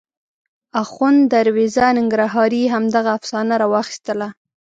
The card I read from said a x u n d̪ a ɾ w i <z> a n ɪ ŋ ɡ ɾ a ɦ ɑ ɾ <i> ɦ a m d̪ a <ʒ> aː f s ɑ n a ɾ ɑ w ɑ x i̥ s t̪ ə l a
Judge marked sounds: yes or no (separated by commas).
yes, yes, no